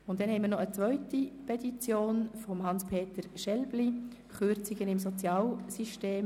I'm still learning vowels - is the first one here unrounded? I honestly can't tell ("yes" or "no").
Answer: no